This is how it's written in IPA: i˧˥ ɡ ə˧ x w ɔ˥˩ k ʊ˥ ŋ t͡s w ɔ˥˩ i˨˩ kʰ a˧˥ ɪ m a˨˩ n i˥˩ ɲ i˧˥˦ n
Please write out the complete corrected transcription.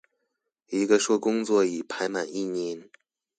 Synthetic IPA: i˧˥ ɡ ə˧ ʂ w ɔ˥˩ k ʊ˥ ŋ t͡s w ɔ˥˩ i˨˩ pʰ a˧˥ ɪ m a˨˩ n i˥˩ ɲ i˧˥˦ n